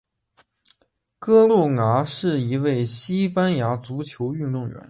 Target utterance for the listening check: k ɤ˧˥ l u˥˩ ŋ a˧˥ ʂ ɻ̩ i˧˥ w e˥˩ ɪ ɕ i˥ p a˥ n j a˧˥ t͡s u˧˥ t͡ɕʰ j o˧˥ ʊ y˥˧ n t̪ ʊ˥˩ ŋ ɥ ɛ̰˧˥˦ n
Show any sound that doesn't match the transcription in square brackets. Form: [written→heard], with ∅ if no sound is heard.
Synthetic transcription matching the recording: k [ɤ˧˥→ɤ˥] l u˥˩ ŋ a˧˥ ʂ ɻ̩ i˧˥ w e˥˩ ɪ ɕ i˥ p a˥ n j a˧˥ t͡s u˧˥ t͡ɕʰ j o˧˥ ʊ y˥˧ n t̪ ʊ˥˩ ŋ ɥ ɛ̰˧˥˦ n